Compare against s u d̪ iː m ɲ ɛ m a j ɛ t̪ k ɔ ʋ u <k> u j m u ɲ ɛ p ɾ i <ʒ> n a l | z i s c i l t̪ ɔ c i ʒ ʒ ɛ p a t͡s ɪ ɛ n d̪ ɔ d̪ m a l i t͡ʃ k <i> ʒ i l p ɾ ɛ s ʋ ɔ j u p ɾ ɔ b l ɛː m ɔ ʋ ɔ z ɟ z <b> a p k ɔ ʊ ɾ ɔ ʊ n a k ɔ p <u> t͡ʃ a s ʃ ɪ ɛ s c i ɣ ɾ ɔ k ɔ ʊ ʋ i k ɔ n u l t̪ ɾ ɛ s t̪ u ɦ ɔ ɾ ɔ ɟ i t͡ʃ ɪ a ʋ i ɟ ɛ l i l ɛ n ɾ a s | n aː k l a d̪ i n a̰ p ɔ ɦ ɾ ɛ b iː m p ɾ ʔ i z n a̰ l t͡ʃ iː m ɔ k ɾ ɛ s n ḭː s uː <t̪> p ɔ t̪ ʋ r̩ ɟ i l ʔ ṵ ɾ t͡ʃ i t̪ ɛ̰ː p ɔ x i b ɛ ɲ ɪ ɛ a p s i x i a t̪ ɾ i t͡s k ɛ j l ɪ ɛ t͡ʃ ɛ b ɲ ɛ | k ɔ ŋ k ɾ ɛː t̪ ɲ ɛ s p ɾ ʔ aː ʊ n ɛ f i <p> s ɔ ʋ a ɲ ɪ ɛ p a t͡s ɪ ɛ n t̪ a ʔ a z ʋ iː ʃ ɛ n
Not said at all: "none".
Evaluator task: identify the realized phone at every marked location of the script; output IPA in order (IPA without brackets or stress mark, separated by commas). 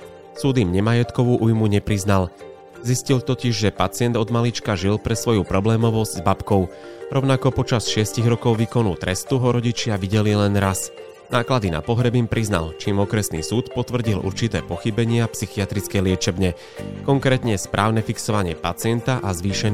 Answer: ʔ, z, a, b, ɔ, t̪, k